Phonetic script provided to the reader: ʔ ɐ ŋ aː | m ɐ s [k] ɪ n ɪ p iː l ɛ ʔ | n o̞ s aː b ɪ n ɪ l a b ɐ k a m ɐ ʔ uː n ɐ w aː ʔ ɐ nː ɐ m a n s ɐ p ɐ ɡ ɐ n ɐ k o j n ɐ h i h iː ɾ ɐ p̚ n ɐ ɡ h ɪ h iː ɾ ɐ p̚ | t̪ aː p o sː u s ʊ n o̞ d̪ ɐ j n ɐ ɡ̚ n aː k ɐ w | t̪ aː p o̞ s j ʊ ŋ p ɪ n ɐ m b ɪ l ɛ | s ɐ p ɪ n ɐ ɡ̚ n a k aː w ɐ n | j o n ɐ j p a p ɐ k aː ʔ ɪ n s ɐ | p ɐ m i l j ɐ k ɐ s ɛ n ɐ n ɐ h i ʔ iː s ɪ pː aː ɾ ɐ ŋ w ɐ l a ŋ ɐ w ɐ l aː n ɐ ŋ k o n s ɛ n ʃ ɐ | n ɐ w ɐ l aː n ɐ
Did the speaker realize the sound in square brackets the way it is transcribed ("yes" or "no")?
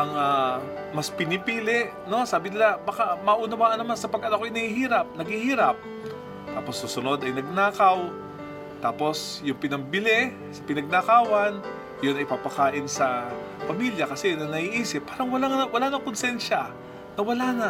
no